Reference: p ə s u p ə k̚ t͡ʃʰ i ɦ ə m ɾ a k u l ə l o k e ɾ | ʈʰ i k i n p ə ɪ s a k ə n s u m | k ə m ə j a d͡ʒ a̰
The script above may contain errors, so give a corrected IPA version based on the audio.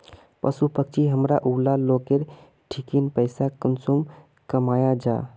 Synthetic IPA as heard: p ə s u p ə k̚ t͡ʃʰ i ɦ ə m ɾ a ʔ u l a l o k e ɾ | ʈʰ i k i n p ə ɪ s a k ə n s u m | k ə m a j a d͡ʒ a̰